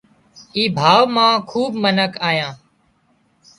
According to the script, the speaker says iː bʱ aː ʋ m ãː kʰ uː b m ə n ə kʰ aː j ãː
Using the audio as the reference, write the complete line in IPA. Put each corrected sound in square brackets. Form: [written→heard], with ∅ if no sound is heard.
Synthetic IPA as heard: iː bʱ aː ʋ m ãː kʰ uː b m ə n ə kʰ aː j ãː